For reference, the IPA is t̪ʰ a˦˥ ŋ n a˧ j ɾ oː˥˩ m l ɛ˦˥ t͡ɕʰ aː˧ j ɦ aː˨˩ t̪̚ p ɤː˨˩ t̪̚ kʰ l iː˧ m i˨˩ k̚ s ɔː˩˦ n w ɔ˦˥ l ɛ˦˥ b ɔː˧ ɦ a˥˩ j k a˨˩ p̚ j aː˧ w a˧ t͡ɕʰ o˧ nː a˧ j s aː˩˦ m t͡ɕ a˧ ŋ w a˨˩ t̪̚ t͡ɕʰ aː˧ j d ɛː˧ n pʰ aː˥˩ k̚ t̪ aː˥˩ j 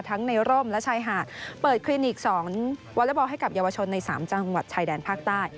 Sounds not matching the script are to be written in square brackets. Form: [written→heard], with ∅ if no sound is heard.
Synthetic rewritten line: t̪ʰ a˦˥ ŋ n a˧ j ɾ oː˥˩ m l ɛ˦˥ t͡ɕʰ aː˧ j ɦ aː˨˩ t̪̚ p ɤː˨˩ t̪̚ kʰ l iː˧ [m→n] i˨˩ k̚ s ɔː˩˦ [n→ŋ] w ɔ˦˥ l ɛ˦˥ b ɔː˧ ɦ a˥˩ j k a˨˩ p̚ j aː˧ w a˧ t͡ɕʰ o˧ nː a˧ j s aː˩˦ m t͡ɕ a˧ ŋ w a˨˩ t̪̚ t͡ɕʰ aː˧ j d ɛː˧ n pʰ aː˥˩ k̚ t̪ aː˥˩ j